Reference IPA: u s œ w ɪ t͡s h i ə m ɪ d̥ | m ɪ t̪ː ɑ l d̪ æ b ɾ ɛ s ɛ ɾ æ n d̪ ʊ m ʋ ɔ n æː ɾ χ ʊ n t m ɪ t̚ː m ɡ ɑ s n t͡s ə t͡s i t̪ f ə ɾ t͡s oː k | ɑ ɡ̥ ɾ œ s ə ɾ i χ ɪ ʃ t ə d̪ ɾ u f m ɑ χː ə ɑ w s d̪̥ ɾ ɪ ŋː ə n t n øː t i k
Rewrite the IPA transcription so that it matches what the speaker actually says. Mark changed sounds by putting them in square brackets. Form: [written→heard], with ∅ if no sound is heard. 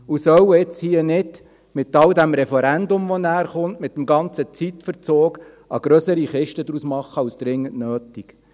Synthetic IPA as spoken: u s œ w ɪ t͡s h i ə [m→n] ɪ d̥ | m ɪ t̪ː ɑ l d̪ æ [b→m] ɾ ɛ [s→f] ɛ ɾ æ n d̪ ʊ m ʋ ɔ n æː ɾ χ ʊ n t m ɪ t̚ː m ɡ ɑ [s→∅] n t͡s ə t͡s i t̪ f ə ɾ t͡s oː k | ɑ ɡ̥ ɾ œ s ə ɾ i χ ɪ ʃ t ə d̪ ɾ u [f→s] m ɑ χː ə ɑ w s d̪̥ ɾ ɪ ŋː ə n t n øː t i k

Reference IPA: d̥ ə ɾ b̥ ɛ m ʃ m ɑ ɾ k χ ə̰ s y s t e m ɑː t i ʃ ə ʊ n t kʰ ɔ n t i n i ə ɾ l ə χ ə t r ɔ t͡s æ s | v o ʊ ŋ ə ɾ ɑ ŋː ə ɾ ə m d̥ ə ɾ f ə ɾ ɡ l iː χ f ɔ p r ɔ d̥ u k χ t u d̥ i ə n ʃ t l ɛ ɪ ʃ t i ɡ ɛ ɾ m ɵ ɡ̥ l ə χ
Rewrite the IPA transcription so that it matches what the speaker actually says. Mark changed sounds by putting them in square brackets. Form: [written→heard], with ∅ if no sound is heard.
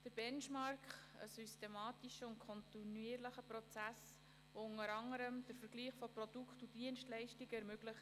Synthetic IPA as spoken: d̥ ə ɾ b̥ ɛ [m→n] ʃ m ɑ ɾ k χ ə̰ s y s t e m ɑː t i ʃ ə ʊ n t kʰ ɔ n t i n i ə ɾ l ə χ ə [t→p] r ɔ t͡s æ s | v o ʊ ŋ ə ɾ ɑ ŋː ə ɾ ə m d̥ ə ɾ f ə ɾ ɡ l iː χ f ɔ p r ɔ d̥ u k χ t u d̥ i ə n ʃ t l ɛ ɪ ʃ t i ɡ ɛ ɾ m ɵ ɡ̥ l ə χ

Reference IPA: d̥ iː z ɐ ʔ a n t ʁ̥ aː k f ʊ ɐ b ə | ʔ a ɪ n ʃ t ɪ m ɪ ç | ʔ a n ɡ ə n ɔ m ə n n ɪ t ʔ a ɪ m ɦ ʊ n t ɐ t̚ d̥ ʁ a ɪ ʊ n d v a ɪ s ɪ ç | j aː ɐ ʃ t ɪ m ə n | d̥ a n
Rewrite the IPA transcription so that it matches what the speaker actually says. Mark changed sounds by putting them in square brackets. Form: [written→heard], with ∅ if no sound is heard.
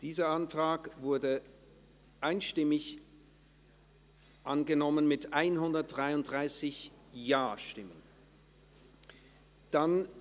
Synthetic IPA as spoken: d̥ iː z ɐ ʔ a n t ʁ̥ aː k [f→v] ʊ ɐ [b→d] ə | ʔ a ɪ n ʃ t ɪ m ɪ ç | ʔ a n ɡ ə n ɔ m ə n [n→m] ɪ t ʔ a ɪ [m→n] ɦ ʊ n [t→d] ɐ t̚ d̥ ʁ a ɪ ʊ n d [v→ʁ] a ɪ s ɪ ç | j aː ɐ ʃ t ɪ m ə n | d̥ a n

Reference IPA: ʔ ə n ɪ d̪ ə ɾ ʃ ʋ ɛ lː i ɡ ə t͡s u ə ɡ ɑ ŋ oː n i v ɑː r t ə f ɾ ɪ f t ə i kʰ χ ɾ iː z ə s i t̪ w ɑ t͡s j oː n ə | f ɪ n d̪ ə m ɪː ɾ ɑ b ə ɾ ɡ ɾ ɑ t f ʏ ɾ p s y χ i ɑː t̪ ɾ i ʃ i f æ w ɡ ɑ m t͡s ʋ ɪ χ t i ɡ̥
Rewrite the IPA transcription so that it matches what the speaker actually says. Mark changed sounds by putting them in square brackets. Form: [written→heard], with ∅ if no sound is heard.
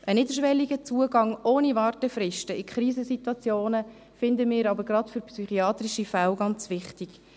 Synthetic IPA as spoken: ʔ ə n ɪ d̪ ə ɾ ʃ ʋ ɛ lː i ɡ ə t͡s u ə ɡ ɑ ŋ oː n i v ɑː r t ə f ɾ ɪ [f→ʃ] t ə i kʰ χ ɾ iː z ə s i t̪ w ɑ t͡s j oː n ə | f ɪ n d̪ ə m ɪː ɾ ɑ b ə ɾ ɡ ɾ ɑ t f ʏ ɾ p s y χ i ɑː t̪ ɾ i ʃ i f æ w ɡ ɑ [m→n] t͡s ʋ ɪ χ t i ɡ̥

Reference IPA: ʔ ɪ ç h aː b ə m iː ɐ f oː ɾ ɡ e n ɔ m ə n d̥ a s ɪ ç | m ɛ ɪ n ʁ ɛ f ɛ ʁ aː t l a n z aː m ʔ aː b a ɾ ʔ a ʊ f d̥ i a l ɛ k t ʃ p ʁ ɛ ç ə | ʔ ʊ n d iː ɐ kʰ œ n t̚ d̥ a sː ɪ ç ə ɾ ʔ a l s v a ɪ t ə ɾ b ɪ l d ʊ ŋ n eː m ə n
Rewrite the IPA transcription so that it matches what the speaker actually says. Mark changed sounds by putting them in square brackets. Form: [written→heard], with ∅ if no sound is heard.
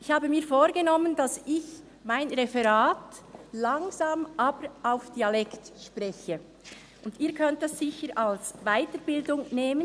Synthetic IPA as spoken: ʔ ɪ ç h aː b ə m iː ɐ f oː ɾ ɡ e n ɔ m ə n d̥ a s ɪ ç | m [ɛ→a] ɪ n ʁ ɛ f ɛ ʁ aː t l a [n→ŋ] z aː m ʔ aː b [a→ə] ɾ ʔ a ʊ f d̥ i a l ɛ k t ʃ p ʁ ɛ ç ə | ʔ ʊ n d iː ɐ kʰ œ n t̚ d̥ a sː ɪ ç ə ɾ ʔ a l s v a ɪ t ə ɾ b ɪ l d ʊ ŋ n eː m ə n

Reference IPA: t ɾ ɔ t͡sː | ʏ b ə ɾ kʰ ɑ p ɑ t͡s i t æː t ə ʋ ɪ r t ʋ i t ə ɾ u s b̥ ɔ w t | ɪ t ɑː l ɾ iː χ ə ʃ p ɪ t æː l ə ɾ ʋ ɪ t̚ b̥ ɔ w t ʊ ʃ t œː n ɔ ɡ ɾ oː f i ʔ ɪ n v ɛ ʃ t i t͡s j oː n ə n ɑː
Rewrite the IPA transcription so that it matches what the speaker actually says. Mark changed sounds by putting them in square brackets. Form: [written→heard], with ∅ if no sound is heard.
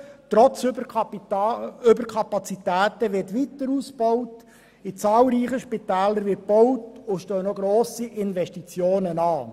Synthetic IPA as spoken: t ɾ ɔ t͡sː | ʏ b ə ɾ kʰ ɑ p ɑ t͡s i t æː t ə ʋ ɪ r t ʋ i t ə ɾ u s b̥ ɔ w t | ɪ [t→t͡s] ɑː l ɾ iː χ ə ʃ p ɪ t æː l ə ɾ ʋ ɪ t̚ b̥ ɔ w t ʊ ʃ t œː n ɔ ɡ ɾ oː [f→s] i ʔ ɪ n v ɛ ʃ t i t͡s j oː n ə n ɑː

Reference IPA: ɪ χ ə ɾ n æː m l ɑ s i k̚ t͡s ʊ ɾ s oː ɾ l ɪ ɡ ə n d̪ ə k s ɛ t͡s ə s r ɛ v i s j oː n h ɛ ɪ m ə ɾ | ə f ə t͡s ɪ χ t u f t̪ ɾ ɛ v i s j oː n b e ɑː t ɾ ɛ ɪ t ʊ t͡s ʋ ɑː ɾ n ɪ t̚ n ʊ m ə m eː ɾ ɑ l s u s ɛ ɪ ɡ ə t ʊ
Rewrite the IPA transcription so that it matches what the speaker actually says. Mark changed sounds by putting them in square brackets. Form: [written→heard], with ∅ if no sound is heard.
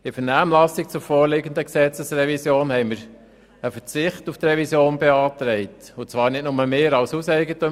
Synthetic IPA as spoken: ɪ [χ→f] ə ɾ n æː m l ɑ s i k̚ t͡s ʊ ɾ [s→f] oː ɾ l ɪ ɡ ə n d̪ ə k s ɛ t͡s ə s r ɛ v i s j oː n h ɛ ɪ m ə ɾ | ə f ə t͡s ɪ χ t u f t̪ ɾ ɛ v i s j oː n b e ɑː t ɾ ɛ ɪ t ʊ t͡s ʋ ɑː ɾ n ɪ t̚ n ʊ m ə m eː ɾ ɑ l s u s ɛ ɪ ɡ ə t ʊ

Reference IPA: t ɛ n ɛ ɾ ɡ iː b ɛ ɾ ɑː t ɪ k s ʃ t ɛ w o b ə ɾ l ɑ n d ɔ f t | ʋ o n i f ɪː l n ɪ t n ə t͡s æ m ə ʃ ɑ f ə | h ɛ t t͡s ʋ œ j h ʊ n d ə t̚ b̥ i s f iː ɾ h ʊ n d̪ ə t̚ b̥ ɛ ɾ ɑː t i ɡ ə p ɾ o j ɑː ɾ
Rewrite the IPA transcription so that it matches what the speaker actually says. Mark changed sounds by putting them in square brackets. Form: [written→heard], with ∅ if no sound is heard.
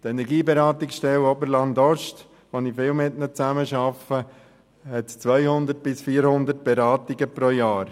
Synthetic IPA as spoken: t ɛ n ɛ ɾ ɡ iː b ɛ ɾ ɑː t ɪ k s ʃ t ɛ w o b ə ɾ l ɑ n d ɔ [f→ʃ] t | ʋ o n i f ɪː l [n→m] ɪ t n ə t͡s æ m ə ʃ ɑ f ə | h ɛ t t͡s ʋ œ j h ʊ n d ə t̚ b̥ [i→ɪ] s f iː ɾ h ʊ n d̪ ə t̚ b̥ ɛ ɾ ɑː t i ɡ ə p ɾ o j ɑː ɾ

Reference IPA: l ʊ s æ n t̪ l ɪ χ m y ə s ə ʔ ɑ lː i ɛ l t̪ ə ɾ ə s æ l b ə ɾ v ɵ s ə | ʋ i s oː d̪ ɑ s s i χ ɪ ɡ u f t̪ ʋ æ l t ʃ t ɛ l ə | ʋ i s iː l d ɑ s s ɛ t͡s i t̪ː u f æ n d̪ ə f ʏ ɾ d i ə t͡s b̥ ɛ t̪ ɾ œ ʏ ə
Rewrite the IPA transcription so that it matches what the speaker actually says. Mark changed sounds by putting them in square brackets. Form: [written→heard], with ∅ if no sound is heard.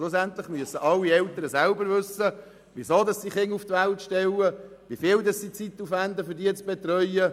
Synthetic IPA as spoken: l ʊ s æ n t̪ l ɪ χ m y ə s ə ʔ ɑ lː i ɛ l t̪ ə ɾ ə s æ l b ə ɾ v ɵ s ə | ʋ i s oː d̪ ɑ s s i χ ɪ [ɡ→ŋ] u f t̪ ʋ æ l t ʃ t ɛ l ə | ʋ i [s→f] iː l d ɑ s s [ɛ→i] t͡s i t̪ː u f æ n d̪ ə f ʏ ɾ d i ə t͡s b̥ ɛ t̪ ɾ œ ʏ ə

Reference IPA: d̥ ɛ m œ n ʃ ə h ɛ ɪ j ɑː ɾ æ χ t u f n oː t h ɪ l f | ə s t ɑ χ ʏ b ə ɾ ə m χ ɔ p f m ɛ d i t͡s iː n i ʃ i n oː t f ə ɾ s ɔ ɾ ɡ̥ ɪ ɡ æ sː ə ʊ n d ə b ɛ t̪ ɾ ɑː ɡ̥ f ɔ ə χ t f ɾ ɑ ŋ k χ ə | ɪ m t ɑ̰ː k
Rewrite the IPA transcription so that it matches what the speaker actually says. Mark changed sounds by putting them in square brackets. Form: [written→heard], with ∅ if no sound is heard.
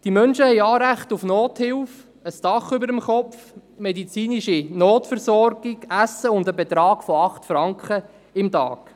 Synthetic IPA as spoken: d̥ [ɛ→i] m œ n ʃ ə h ɛ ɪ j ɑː ɾ æ χ t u f n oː t h ɪ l f | ə s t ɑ χ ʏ b ə ɾ ə m χ ɔ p f m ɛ d i t͡s iː n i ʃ i n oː t f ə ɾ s ɔ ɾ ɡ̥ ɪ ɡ æ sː ə ʊ n d ə b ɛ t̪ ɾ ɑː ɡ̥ f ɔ [ə→ɑ] χ t f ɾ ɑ ŋ k χ ə | ɪ m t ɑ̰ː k

